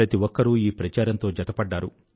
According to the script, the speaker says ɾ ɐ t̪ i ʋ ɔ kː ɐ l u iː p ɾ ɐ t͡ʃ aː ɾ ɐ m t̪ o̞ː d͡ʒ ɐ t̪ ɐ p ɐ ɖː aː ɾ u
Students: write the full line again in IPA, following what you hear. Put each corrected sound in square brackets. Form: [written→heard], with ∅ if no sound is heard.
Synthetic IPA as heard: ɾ ɐ t̪ i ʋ ɔ kː ɐ [l→ɾ] u iː p ɾ ɐ t͡ʃ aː ɾ ɐ [m→n] t̪ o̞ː d͡ʒ ɐ t̪ ɐ p ɐ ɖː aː ɾ u